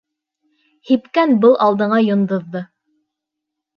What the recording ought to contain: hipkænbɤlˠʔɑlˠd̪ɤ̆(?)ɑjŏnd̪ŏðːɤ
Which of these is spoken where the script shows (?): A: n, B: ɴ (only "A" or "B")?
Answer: B